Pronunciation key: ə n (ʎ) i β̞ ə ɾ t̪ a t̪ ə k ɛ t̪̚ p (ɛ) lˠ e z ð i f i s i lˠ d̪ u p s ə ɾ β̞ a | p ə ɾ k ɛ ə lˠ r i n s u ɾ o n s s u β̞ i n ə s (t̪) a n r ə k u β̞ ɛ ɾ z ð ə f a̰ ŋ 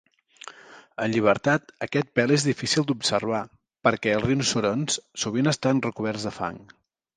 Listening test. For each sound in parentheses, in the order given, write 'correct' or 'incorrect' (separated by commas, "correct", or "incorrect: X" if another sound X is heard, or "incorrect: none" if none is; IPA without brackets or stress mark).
correct, correct, correct